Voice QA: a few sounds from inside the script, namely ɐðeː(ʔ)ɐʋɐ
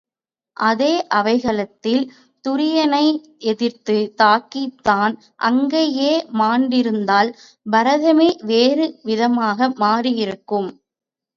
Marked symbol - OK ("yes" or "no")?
yes